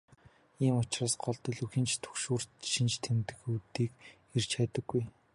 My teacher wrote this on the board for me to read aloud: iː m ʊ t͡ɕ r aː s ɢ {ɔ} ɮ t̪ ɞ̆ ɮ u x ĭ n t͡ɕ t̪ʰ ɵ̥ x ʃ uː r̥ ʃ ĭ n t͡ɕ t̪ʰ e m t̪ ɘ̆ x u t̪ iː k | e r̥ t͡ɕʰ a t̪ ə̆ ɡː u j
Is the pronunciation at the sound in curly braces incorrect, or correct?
correct